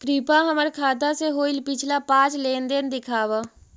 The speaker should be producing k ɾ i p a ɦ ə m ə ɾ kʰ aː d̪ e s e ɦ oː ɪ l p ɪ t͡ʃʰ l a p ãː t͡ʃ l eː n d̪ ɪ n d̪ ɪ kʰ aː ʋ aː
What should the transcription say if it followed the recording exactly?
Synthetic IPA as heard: k ɾ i p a ɦ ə m ə ɾ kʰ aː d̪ a s e ɦ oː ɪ l p ɪ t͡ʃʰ l a p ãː t͡ʃ l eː n d̪ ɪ n d̪ ɪ kʰ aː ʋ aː